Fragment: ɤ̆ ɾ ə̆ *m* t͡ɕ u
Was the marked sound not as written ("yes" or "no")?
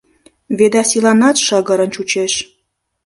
yes